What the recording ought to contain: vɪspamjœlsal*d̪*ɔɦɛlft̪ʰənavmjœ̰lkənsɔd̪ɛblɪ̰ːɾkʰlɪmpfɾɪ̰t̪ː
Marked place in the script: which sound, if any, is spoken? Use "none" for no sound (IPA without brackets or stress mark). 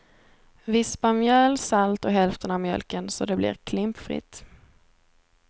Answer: t̪